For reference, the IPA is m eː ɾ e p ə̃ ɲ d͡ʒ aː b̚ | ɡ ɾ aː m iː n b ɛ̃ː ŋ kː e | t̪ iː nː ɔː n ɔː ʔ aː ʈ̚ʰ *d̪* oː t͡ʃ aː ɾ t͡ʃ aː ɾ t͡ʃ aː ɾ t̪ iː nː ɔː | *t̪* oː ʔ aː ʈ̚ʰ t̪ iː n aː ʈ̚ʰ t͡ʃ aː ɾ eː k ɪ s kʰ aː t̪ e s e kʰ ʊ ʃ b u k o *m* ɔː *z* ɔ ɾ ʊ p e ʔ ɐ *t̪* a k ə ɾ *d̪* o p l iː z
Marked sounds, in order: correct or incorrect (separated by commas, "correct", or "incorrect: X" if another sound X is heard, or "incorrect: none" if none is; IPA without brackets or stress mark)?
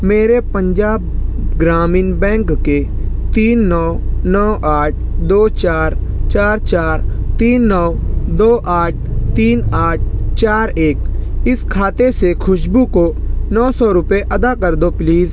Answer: correct, incorrect: d̪, incorrect: n, incorrect: s, incorrect: d̪, correct